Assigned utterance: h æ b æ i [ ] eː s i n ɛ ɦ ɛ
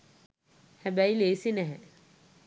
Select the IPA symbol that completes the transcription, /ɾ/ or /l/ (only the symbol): l